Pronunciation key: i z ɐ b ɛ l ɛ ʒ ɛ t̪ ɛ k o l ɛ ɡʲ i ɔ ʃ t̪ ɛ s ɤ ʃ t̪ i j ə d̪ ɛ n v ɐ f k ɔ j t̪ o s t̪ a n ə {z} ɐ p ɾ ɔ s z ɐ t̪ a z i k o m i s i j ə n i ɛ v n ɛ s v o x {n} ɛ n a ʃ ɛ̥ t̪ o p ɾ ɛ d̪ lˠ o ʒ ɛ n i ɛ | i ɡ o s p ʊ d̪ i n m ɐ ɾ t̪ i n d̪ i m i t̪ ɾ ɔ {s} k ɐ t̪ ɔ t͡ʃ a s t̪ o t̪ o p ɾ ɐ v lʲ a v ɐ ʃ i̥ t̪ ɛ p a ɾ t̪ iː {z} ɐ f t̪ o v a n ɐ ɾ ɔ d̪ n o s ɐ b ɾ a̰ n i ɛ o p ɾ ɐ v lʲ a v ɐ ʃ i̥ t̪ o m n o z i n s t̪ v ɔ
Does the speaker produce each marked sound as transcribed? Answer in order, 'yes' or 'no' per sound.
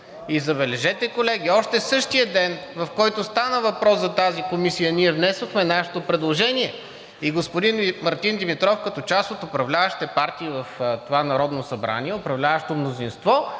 no, no, no, no

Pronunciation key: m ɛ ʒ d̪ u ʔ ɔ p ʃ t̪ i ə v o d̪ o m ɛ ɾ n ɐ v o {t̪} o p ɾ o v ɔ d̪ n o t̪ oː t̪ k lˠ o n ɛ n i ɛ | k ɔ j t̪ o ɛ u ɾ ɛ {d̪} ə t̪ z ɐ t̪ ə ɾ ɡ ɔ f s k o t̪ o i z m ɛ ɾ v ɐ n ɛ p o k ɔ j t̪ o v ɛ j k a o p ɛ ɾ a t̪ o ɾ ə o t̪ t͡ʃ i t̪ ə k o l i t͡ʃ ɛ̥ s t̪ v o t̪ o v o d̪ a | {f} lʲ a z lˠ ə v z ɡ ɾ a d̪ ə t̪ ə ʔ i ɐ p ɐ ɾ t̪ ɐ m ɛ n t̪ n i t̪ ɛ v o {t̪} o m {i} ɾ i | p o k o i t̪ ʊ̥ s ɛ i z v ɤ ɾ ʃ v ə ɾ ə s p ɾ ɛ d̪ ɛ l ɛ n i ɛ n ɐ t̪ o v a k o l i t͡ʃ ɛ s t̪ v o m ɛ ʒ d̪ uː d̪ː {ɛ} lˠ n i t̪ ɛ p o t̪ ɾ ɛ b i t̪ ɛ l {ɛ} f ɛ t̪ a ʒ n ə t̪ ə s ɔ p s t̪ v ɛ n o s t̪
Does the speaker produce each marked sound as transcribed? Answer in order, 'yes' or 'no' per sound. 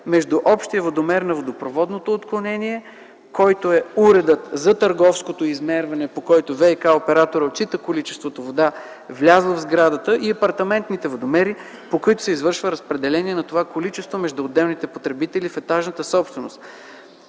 no, yes, no, no, no, yes, no

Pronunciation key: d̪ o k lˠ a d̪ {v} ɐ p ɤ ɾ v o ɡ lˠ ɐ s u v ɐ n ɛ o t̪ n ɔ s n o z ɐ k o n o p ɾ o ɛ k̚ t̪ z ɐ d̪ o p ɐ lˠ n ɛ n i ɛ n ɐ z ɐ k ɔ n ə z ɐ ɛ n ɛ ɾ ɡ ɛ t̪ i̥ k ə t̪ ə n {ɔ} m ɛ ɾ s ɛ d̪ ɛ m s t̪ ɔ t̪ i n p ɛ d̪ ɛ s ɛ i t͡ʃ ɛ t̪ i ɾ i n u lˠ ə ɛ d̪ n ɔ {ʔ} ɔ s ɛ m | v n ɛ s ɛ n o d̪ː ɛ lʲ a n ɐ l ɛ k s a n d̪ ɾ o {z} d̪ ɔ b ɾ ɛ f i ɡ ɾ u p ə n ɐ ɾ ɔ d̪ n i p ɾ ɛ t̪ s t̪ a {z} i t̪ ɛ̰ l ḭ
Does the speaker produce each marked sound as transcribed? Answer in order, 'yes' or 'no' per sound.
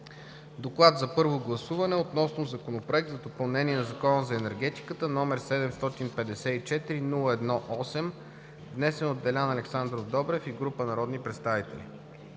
no, yes, yes, no, no

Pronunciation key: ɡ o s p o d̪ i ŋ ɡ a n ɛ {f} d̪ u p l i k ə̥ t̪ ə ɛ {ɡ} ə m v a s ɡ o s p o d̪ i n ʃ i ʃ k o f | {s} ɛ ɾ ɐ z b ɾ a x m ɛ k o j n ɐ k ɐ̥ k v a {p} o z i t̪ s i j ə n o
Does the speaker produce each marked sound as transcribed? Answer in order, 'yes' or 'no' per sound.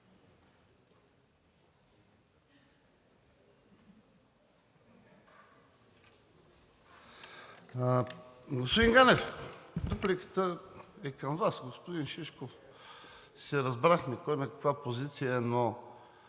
yes, no, yes, yes

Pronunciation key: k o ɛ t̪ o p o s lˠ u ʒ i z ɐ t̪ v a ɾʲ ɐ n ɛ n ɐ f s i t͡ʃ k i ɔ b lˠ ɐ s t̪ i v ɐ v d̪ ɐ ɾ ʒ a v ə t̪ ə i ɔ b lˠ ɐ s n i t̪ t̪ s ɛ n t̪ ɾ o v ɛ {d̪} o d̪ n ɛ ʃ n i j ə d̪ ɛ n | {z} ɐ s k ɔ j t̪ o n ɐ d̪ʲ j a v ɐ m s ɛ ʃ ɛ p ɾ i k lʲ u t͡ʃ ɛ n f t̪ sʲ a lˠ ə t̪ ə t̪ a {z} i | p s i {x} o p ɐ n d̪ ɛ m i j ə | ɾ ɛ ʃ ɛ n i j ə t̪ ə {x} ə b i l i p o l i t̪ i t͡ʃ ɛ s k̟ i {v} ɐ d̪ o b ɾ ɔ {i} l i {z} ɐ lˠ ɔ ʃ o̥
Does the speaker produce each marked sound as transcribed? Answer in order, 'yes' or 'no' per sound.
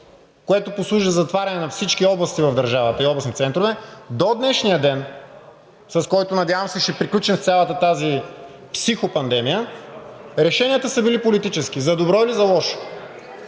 yes, no, yes, yes, no, no, yes, yes

